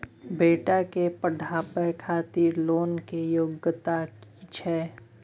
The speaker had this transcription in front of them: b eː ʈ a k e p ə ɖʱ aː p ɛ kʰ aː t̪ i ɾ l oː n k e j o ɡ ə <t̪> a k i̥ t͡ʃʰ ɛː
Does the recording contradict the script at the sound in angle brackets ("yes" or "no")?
no